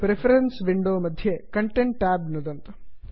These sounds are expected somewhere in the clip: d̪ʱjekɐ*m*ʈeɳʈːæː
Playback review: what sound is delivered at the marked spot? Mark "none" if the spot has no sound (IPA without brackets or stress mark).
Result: ɳ